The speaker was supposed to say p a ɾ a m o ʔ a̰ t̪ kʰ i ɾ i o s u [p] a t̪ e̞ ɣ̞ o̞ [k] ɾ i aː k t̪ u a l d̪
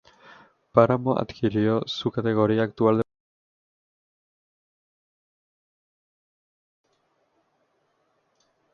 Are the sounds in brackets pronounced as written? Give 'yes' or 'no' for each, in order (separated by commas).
no, no